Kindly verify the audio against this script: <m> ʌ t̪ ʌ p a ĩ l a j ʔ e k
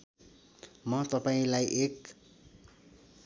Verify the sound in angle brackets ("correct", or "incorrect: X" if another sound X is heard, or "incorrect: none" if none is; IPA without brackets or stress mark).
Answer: correct